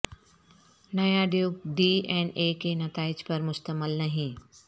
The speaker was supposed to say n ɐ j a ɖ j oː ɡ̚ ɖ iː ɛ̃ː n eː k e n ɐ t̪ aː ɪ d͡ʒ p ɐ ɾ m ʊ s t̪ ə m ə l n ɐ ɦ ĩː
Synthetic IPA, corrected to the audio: n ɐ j a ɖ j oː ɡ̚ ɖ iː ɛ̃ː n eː k e n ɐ t̪ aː ɪ d͡ʒ p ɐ ɾ m ʊ s t̪ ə m ə l n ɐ ɦ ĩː